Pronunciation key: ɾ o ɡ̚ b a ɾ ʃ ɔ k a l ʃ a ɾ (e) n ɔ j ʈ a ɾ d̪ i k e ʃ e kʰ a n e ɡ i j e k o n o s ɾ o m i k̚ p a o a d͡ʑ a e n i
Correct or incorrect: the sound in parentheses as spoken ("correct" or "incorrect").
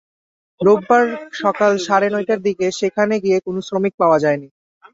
correct